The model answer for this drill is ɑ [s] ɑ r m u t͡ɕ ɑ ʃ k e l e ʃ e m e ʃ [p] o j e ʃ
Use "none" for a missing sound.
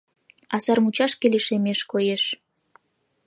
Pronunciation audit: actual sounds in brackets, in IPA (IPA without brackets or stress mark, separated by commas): s, k